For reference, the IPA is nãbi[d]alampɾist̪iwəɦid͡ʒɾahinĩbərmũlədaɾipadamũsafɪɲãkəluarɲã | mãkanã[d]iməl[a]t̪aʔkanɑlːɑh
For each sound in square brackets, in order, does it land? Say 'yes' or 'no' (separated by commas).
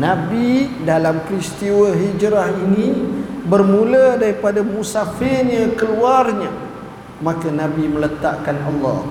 yes, no, no